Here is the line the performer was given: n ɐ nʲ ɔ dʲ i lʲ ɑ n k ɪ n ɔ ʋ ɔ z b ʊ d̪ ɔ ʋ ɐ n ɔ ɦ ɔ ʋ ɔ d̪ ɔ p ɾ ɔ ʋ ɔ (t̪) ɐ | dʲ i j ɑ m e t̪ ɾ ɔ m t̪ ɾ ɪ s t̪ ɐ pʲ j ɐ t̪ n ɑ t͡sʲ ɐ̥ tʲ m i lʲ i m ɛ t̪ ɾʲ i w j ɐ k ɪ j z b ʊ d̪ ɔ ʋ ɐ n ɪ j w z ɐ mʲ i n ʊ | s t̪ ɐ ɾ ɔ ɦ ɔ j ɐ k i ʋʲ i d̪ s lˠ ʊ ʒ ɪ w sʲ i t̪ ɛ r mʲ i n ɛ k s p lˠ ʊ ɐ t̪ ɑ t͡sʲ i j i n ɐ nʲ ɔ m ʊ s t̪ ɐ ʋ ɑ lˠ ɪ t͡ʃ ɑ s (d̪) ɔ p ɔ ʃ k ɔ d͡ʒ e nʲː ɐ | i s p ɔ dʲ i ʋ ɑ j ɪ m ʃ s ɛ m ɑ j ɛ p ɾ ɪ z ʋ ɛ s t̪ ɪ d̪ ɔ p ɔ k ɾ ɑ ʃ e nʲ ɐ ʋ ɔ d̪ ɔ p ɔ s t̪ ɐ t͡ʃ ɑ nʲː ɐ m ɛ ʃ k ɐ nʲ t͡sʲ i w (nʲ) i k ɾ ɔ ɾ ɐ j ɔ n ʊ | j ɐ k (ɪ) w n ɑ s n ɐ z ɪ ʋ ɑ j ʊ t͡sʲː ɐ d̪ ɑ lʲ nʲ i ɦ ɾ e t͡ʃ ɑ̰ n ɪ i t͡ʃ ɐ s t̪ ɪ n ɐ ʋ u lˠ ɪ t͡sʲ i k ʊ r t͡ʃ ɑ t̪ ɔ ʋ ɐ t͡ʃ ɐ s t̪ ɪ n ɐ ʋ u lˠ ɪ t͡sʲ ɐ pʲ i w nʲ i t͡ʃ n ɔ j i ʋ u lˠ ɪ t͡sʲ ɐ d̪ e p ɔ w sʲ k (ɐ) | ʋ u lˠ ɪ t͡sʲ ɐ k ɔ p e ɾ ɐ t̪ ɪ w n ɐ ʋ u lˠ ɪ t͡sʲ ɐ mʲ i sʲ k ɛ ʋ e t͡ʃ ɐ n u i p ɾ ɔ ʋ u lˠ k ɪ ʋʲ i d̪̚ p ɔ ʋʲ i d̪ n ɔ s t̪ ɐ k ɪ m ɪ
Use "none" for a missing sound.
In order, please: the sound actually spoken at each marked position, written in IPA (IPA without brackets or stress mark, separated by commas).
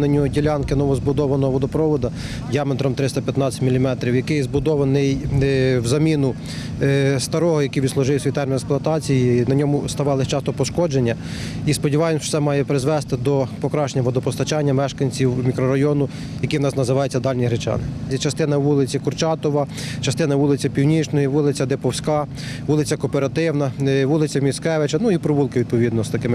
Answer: d̪, t̪, mʲ, i, ɑ